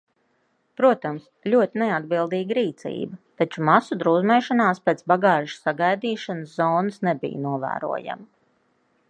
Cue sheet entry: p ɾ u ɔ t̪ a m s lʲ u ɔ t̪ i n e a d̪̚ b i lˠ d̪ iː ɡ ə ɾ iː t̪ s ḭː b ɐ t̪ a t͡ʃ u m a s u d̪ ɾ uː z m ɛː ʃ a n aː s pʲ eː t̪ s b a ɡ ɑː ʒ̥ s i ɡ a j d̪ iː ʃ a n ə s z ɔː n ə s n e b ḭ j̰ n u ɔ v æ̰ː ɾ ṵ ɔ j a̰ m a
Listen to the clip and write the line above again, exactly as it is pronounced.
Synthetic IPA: p ɾ u ɔ t̪ a m s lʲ u ɔ t̪ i n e a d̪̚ b i lˠ d̪ iː ɡ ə ɾ iː t̪ s ḭː b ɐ t̪ a t͡ʃ u m a s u d̪ ɾ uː z m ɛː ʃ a n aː s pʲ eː t̪ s b a ɡ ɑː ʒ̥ s a ɡ a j d̪ iː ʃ a n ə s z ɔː n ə s n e b ḭ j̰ n u ɔ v æ̰ː ɾ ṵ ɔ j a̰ m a